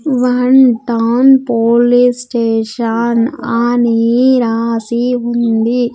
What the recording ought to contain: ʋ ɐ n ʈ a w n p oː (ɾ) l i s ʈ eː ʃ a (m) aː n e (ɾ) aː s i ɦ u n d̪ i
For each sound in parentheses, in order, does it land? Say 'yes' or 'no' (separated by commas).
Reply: no, no, yes